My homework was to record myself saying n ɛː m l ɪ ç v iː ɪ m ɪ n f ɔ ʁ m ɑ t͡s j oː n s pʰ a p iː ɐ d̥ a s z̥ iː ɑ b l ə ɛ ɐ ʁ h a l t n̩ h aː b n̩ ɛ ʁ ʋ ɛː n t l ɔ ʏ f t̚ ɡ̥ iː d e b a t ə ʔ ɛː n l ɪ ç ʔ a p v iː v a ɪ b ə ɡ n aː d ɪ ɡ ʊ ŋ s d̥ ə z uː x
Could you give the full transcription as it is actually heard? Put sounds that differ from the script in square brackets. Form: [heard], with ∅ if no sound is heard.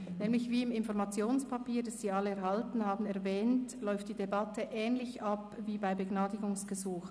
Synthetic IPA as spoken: n ɛː m l ɪ ç v iː ɪ m ɪ n f ɔ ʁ m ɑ t͡s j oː n s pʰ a p iː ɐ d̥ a s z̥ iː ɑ [∅] l ə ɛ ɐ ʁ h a l t n̩ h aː b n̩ ɛ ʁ [v] ɛː n t l ɔ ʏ f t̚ [d̥] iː d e b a t ə ʔ ɛː n l ɪ ç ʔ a p v iː [b] a ɪ b ə ɡ n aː d ɪ ɡ ʊ ŋ s [ɡ̥] ə z uː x